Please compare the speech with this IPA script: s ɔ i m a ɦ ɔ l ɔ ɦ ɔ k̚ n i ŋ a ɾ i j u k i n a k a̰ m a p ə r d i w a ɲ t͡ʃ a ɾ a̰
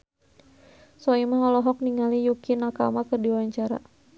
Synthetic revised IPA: s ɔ i m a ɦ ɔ l ɔ ɦ ɔ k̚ n i ŋ a l i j u k i n a k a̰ m a k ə r d i w a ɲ t͡ʃ a ɾ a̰